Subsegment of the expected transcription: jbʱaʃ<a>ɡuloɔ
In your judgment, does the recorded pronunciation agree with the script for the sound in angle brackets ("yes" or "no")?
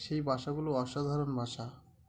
yes